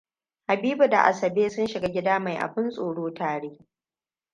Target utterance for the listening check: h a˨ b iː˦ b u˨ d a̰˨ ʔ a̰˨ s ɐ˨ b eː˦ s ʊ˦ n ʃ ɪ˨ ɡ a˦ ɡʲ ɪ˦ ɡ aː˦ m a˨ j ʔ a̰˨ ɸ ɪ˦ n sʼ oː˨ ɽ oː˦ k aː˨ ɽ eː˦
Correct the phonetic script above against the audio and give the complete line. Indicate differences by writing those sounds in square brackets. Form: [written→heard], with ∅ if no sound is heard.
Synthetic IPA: h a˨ b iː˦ b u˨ d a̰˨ ʔ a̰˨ s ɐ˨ b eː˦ s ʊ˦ n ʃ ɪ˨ ɡ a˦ ɡʲ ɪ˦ [ɡ→d] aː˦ m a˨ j ʔ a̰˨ ɸ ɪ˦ n sʼ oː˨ ɽ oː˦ [k→t] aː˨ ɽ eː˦